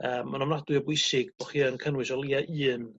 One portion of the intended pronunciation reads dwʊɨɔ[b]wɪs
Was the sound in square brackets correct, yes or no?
yes